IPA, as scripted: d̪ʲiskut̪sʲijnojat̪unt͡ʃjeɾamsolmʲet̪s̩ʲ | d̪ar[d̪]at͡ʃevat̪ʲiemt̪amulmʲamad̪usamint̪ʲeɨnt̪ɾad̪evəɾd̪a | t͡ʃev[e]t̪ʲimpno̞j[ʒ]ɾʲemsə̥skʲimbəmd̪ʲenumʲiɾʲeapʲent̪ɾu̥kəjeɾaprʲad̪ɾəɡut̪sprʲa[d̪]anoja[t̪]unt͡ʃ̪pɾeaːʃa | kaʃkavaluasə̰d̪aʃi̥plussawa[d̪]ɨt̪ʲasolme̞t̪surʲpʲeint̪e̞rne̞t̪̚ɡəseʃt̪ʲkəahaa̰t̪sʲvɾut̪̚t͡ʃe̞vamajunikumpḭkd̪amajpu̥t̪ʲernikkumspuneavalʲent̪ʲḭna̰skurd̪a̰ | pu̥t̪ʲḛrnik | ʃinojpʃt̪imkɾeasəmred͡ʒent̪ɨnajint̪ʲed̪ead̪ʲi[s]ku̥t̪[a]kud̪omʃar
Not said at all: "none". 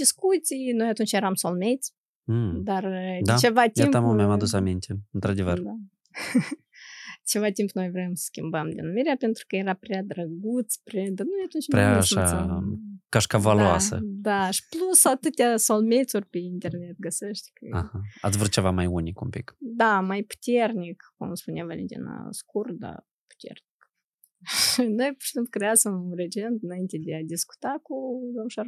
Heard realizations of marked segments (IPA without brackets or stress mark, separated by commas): d̪, a, v, d̪, t̪, t̪, s, a